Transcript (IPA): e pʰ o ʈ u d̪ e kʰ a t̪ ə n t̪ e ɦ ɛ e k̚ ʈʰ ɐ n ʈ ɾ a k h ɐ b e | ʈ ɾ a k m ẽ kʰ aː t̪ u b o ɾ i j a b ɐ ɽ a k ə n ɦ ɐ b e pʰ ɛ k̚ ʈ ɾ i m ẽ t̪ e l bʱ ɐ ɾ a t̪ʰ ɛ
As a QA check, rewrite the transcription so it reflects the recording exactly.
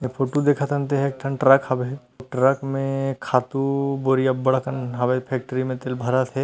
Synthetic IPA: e pʰ o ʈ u d̪ e kʰ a t̪ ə n t̪ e ɦ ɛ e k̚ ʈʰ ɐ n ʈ ɾ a k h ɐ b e | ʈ ɾ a k m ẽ kʰ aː t̪ u b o ɾ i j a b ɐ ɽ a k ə n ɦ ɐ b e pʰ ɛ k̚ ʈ ɾ i m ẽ t̪ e l bʱ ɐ ɾ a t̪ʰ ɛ